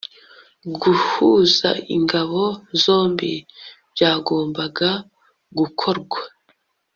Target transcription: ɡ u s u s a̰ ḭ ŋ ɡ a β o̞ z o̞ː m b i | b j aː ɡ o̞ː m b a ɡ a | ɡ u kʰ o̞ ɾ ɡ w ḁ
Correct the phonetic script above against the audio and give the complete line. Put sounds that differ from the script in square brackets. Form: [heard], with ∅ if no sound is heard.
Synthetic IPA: ɡ u [h] u [z] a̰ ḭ ŋ ɡ a β o̞ z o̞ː m b i | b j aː ɡ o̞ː m b a ɡ a | ɡ u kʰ o̞ ɾ ɡ w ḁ